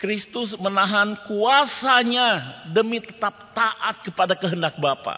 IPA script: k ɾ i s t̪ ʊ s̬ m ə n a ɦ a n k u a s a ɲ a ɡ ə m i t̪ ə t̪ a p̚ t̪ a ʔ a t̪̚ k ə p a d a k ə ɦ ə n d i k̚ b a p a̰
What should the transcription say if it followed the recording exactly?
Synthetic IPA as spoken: k ɾ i s t̪ ʊ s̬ m ə n a ɦ a n k u a s a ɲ a d ə m i t̪ ə t̪ a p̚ t̪ a ʔ a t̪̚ k ə p a d a k ə ɦ ə n d a k̚ b a p a̰